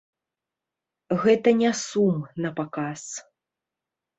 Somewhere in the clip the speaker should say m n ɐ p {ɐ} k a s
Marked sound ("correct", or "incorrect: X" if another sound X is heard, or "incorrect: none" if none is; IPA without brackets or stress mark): incorrect: a